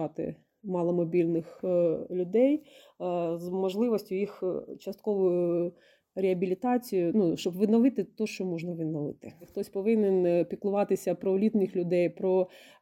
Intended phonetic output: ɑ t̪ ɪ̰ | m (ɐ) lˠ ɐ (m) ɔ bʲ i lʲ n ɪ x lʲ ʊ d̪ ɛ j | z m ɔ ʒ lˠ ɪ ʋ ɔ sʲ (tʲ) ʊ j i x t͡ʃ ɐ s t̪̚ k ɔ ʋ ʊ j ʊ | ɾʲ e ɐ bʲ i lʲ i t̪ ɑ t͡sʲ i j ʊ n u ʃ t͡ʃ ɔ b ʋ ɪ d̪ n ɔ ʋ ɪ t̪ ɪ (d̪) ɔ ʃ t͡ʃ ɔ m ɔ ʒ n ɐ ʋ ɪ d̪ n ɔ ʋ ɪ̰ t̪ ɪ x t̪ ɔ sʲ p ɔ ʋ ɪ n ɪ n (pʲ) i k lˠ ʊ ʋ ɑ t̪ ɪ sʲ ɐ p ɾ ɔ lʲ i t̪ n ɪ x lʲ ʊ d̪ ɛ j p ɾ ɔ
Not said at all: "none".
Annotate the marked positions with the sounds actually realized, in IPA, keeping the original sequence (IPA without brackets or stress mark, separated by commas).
ɑ, m, tʲ, t̪, pʲ